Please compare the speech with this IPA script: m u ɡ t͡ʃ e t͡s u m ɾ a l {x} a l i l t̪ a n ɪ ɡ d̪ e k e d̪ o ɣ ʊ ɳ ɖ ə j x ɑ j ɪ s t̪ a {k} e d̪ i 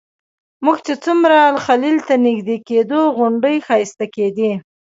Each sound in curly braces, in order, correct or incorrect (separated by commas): correct, correct